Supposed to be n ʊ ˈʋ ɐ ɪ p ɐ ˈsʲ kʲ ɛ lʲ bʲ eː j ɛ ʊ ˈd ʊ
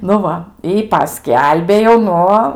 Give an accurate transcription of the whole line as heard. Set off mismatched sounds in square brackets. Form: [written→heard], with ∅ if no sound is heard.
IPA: n ʊ ˈʋ ɐ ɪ p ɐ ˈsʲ kʲ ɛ lʲ bʲ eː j ɛ ʊ [ˈd→ˈn] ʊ